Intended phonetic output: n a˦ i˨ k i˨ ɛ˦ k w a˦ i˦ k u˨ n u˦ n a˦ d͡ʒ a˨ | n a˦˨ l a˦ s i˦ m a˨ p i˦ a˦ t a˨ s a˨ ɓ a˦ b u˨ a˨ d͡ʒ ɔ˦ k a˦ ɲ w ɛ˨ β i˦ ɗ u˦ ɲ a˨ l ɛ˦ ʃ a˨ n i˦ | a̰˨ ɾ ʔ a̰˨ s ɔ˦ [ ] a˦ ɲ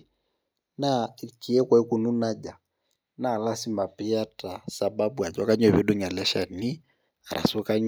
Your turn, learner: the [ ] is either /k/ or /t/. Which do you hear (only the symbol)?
k